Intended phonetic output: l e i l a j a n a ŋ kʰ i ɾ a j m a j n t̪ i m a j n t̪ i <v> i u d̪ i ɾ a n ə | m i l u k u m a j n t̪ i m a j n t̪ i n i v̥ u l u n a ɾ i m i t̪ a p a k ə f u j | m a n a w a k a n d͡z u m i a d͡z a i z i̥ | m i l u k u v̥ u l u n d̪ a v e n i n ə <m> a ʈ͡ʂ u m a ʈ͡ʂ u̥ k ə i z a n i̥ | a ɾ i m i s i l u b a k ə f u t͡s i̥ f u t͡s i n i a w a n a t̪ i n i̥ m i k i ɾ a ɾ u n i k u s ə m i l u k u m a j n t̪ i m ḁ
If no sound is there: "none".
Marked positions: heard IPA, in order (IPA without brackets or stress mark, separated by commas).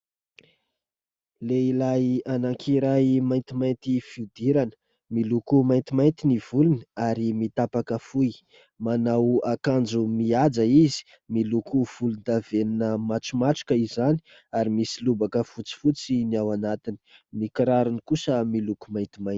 f, m